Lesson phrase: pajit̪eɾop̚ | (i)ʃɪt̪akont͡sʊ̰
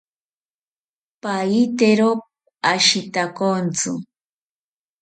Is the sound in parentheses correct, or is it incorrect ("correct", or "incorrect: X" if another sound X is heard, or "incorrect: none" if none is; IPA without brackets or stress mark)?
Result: incorrect: a